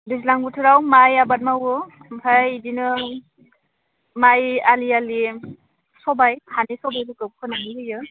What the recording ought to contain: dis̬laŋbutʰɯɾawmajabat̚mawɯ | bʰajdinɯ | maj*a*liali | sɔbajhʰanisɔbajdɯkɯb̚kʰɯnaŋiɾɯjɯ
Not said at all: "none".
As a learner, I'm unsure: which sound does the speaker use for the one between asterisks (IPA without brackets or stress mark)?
a